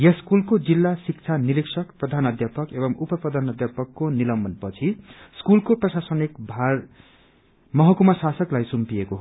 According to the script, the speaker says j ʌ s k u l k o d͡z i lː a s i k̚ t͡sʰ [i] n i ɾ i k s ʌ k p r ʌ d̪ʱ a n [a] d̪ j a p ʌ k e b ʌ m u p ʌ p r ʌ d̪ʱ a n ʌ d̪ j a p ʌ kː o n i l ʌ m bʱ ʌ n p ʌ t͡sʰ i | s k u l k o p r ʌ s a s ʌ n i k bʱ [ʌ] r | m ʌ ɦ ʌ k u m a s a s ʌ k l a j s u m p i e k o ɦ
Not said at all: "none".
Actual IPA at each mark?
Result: a, ʌ, a

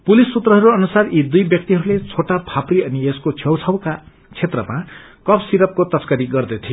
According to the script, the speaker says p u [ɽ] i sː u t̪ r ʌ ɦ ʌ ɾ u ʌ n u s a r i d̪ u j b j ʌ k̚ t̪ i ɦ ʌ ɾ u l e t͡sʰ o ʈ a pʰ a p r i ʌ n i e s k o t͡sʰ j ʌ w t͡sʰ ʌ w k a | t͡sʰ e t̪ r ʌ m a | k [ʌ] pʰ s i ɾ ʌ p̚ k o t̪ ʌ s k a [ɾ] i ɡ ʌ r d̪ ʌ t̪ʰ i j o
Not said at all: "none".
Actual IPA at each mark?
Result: l, ʌ, ɾ

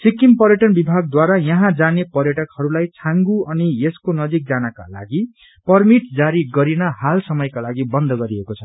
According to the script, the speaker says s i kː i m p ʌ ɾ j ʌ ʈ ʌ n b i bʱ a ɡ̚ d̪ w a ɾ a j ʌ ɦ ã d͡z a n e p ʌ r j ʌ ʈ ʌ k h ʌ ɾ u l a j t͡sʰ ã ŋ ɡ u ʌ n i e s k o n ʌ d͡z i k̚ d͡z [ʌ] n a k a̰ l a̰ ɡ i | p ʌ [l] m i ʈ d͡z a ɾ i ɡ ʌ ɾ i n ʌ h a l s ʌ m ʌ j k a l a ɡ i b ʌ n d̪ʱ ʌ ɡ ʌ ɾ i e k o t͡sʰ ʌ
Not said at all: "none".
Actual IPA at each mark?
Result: a, r

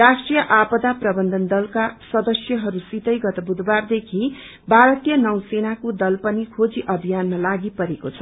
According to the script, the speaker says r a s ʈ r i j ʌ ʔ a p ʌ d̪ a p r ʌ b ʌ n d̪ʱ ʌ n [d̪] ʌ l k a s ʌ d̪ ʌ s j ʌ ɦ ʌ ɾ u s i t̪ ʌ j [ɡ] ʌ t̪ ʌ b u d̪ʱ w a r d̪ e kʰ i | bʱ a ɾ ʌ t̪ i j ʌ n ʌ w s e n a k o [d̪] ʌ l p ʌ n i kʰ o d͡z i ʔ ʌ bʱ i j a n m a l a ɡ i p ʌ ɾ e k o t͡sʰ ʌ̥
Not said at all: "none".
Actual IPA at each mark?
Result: d̪, ɡ, d̪

